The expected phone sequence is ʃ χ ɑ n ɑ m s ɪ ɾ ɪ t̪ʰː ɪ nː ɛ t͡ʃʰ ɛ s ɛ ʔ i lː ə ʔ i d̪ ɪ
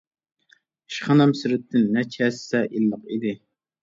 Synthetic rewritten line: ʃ χ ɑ n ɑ m s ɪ ɾ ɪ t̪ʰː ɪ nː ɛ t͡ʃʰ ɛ s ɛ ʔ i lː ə q i d̪ ɪ